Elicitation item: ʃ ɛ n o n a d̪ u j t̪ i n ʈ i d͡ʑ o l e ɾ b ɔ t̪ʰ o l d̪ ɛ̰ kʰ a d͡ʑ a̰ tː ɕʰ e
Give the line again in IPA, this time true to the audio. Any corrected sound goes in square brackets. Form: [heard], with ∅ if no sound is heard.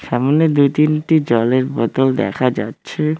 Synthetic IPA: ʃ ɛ [m] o n [e] d̪ u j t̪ i n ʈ i d͡ʑ [ɔ] l e ɾ b ɔ [t̪] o l d̪ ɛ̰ kʰ a d͡ʑ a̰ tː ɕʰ e